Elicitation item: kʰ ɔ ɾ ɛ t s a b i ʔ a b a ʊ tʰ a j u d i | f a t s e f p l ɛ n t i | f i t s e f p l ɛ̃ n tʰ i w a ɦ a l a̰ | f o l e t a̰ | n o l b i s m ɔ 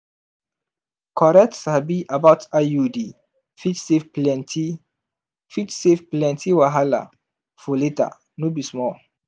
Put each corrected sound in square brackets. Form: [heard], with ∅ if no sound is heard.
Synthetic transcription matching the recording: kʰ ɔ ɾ ɛ t s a b i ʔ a b a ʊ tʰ a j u d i | f [i] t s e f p l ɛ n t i | f i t s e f p l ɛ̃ n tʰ i w a ɦ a l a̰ | f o l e t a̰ | n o [∅] b i s m ɔ